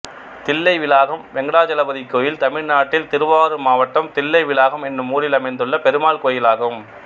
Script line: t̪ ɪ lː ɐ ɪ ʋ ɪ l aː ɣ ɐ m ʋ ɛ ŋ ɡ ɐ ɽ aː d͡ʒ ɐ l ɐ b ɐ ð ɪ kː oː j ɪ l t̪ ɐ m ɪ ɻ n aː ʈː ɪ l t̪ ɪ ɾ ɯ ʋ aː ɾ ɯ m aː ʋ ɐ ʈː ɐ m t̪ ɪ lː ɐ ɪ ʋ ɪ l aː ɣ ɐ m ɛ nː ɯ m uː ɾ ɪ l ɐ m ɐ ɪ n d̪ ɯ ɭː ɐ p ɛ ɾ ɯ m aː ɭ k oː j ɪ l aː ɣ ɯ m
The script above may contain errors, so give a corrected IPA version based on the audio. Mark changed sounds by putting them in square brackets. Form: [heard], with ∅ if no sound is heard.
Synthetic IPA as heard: t̪ ɪ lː ɐ ɪ ʋ ɪ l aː ɣ ɐ m ʋ ɛ ŋ ɡ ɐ ɽ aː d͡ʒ ɐ l ɐ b ɐ ð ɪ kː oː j ɪ l t̪ ɐ m ɪ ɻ n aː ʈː ɪ l t̪ ɪ ɾ ɯ ʋ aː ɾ ɯ m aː ʋ ɐ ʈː ɐ m t̪ ɪ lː ɐ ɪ ʋ ɪ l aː ɣ ɐ m ɛ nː ɯ m uː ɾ ɪ l ɐ m ɐ ɪ n d̪ ɯ ɭː ɐ p ɛ ɾ ɯ m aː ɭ k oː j ɪ l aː ɣ ɯ m